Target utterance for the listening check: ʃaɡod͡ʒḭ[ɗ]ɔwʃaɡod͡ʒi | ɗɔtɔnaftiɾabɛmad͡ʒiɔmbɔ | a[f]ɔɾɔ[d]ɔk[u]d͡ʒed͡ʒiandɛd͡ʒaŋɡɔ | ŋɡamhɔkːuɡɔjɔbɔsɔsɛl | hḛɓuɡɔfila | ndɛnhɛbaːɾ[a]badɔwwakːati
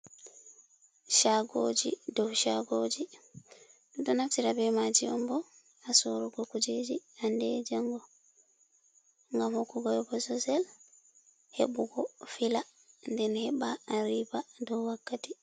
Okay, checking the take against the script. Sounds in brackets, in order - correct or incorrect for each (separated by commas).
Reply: incorrect, incorrect, incorrect, correct, incorrect